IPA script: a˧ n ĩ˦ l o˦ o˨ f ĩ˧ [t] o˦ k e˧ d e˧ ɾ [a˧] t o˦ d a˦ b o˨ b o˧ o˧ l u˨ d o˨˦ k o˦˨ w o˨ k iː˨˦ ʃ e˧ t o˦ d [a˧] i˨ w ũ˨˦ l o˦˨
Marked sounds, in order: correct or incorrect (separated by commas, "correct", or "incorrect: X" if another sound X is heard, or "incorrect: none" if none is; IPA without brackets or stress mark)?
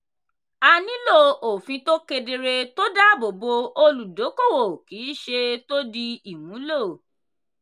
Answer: correct, incorrect: e˧, incorrect: i˧